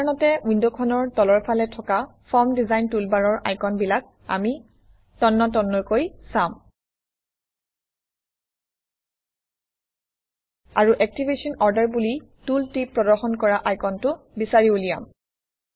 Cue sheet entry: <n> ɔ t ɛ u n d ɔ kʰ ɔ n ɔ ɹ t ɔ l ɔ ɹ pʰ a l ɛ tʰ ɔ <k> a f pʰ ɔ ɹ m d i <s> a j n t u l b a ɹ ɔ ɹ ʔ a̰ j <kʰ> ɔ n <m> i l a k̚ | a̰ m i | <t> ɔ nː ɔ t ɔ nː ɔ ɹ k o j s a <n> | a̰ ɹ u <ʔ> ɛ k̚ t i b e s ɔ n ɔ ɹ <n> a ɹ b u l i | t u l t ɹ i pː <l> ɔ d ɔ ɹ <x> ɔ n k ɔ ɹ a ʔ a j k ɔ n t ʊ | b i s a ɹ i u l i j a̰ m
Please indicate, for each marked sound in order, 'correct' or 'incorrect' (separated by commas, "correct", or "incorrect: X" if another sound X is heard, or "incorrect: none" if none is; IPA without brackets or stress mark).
correct, correct, incorrect: z, incorrect: k, incorrect: b, correct, incorrect: m, correct, incorrect: d, incorrect: ɹ, correct